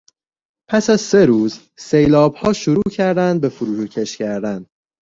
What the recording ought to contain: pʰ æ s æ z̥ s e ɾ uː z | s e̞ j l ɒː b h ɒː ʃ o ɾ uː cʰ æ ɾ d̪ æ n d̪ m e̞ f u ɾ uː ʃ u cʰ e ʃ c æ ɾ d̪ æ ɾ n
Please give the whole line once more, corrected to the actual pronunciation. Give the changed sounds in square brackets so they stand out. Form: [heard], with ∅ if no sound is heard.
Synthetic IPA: pʰ æ s æ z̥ s e ɾ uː z | s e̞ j l ɒː b h ɒː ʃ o ɾ uː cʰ æ ɾ d̪ æ n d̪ [b] e̞ f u ɾ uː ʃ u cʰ e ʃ c æ ɾ d̪ æ [∅] n